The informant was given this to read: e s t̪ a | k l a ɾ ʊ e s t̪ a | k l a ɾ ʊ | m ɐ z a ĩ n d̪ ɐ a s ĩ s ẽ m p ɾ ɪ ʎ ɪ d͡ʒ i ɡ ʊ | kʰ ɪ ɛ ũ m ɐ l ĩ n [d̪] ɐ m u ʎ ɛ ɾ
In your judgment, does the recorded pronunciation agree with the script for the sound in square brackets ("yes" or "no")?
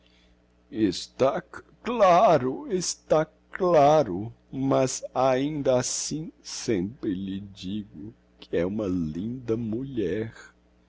yes